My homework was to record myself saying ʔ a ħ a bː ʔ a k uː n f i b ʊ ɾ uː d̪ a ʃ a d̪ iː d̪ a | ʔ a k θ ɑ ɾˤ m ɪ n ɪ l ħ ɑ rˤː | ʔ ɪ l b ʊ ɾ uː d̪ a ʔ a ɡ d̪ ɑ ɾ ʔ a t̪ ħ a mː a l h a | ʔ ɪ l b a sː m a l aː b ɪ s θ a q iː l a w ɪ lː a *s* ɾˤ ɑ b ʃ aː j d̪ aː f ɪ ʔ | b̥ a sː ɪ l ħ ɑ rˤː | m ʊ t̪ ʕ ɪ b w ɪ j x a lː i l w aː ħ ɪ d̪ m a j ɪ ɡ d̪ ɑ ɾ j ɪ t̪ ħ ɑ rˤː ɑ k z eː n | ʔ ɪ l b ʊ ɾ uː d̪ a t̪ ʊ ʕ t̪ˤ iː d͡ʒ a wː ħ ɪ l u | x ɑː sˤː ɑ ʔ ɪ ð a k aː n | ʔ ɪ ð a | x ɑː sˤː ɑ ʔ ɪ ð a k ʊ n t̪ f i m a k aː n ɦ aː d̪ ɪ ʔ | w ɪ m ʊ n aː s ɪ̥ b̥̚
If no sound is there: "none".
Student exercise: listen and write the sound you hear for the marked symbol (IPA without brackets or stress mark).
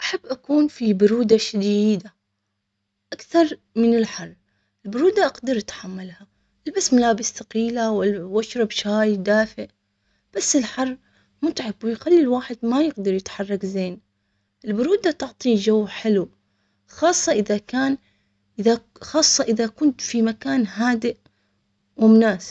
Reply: ʃ